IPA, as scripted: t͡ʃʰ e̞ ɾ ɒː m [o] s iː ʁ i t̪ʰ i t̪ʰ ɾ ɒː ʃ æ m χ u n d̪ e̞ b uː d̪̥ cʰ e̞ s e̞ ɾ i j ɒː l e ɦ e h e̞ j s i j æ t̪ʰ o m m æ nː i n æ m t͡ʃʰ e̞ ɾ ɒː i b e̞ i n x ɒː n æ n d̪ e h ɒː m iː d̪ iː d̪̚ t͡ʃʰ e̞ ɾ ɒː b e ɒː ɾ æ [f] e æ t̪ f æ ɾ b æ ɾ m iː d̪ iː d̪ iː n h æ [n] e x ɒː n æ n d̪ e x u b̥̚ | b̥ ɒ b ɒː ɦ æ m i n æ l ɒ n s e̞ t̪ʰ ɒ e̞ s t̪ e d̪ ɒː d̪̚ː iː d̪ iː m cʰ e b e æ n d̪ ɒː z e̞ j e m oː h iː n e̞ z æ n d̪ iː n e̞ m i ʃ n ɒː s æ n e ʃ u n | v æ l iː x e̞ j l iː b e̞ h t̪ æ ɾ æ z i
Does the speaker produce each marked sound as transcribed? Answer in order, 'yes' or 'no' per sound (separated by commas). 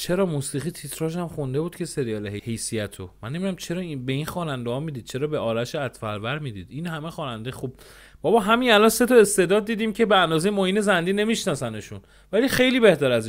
no, no, no